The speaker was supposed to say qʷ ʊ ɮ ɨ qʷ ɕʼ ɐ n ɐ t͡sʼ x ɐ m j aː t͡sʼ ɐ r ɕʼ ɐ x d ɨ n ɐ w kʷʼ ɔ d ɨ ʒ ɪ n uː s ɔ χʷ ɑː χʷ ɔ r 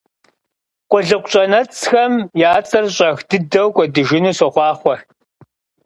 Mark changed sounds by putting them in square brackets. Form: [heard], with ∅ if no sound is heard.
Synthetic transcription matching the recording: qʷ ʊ ɮ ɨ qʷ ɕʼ ɐ n ɐ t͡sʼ x ɐ m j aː t͡sʼ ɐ r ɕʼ ɐ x d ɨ [d] ɐ w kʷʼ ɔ d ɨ ʒ ɪ n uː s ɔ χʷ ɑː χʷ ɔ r